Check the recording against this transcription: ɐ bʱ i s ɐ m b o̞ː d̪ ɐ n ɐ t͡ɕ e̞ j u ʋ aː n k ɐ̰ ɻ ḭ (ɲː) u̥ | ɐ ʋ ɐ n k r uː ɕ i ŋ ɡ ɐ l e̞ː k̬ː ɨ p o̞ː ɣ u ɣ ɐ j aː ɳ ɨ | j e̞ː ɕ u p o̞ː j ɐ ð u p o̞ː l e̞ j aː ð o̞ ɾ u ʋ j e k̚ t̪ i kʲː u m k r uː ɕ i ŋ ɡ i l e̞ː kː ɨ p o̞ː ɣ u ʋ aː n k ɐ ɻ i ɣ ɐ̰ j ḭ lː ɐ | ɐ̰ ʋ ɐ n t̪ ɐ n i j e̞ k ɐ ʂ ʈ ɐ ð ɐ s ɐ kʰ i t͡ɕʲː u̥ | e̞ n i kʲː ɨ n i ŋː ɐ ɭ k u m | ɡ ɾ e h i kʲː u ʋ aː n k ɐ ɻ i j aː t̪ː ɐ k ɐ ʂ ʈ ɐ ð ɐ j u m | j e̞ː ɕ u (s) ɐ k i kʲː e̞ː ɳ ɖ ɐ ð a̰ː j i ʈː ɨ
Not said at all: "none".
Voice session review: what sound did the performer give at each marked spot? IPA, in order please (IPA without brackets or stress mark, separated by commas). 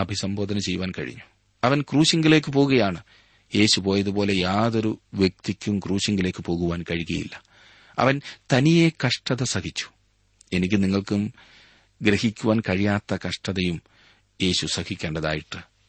ɲː, s